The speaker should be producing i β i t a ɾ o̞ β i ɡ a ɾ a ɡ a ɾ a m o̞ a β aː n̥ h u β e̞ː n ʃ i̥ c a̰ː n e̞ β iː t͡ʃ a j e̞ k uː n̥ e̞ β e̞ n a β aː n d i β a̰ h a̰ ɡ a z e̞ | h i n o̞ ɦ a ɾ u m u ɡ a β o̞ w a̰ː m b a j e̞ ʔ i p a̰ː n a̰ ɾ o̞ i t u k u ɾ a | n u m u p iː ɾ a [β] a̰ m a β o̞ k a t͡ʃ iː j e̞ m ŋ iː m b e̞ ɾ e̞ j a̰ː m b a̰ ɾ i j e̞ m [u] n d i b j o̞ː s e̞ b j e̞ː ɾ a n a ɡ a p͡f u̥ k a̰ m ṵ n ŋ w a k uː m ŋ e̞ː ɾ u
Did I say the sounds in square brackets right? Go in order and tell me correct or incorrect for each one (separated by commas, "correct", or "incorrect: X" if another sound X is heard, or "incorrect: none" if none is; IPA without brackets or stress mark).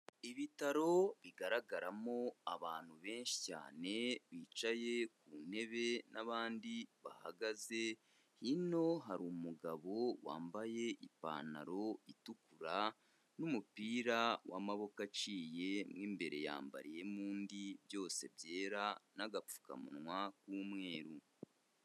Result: incorrect: w, incorrect: uː